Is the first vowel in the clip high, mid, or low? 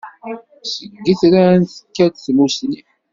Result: mid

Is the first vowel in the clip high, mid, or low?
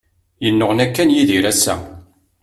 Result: mid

